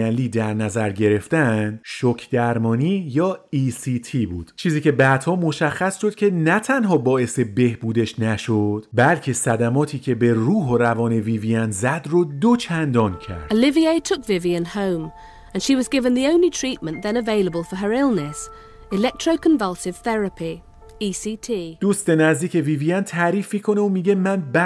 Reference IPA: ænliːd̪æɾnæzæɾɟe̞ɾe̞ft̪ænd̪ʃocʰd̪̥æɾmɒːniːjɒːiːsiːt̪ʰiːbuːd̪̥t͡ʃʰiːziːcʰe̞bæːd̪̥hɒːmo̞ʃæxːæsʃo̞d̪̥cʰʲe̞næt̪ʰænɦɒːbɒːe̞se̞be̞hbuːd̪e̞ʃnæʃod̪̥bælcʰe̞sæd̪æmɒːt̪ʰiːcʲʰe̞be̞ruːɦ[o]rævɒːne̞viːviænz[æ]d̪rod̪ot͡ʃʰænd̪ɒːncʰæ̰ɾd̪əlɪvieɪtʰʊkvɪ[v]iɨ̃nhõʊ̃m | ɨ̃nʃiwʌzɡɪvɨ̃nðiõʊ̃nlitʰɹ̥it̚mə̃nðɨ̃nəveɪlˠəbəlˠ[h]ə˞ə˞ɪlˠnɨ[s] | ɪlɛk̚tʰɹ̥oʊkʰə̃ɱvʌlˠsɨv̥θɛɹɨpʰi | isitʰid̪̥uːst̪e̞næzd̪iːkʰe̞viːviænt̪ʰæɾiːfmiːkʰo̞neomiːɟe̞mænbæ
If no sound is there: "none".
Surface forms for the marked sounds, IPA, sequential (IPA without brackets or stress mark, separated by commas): o, æ, v, f, s